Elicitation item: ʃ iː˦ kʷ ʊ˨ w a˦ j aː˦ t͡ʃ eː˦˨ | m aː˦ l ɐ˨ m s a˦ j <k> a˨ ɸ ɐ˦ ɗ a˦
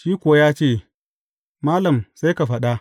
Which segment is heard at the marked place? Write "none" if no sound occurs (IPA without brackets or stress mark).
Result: k